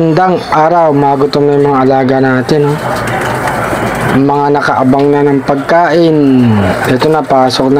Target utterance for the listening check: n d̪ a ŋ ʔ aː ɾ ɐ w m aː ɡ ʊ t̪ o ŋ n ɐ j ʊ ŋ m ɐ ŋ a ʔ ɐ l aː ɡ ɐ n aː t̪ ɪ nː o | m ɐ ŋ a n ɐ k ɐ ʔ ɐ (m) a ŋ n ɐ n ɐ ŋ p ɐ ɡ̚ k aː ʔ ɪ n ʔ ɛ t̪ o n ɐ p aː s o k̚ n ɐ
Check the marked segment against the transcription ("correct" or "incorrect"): incorrect